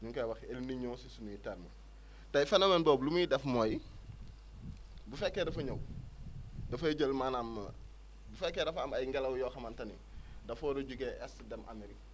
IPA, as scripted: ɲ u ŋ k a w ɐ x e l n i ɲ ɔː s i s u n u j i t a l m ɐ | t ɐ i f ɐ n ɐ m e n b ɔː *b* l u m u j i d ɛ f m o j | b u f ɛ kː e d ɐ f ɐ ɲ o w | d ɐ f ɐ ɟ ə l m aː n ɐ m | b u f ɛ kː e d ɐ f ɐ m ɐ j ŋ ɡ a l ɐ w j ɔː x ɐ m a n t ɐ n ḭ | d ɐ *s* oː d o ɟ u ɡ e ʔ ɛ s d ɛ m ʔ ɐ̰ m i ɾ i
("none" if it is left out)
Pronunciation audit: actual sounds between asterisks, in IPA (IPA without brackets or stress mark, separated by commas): b, f